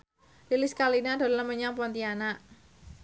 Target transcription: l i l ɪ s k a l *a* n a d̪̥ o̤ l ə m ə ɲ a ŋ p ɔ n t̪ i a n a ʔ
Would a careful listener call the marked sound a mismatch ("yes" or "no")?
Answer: yes